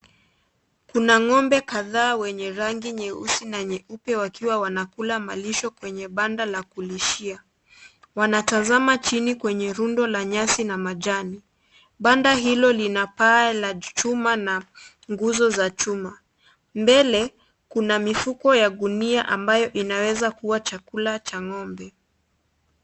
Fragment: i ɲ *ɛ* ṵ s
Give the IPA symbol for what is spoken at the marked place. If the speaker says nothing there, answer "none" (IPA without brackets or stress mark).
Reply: ɛ